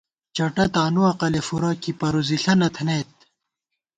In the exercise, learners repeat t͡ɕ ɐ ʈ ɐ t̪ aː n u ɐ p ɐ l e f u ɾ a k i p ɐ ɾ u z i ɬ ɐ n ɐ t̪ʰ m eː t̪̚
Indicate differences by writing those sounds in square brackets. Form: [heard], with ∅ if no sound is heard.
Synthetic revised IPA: t͡ɕ ɐ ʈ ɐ t̪ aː n u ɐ [q] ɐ l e f u ɾ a k i p ɐ ɾ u z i ɬ ɐ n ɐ t̪ʰ [n] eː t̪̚